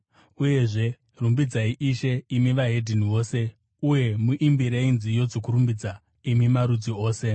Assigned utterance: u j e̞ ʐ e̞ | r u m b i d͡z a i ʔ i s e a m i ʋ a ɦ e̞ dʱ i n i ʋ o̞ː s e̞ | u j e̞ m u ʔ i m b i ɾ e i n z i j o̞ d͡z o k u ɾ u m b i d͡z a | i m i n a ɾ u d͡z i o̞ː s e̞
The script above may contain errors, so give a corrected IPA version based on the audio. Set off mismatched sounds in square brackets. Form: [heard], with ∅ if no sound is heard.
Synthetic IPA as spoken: u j e̞ ʐ e̞ | r u m b i d͡z a i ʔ i [ʃ] e [i] m i ʋ a ɦ e̞ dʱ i n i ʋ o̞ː s e̞ | u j e̞ m u ʔ i m b i ɾ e i n z i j o̞ d͡z o k u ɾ u m b i d͡z a | i m i [m] a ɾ u d͡z i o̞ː s e̞